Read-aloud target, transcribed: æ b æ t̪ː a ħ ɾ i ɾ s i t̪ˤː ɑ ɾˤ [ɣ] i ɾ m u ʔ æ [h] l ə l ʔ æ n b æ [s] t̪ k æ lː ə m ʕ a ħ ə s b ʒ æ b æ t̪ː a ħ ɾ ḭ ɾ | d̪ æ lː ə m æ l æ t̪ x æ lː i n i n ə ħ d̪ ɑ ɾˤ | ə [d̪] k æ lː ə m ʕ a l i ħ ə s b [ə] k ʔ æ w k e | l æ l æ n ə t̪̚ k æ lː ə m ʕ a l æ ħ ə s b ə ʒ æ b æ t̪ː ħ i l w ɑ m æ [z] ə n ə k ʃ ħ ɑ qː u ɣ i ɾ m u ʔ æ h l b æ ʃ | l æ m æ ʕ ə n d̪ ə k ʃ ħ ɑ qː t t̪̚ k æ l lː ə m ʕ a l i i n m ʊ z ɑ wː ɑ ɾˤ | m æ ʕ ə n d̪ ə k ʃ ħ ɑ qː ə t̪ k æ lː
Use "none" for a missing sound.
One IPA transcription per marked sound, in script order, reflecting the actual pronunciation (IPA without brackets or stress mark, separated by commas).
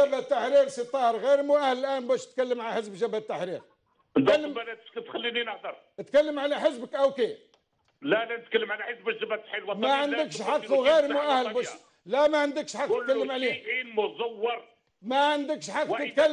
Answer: ɣ, h, ʃ, t̪, ə, ʕ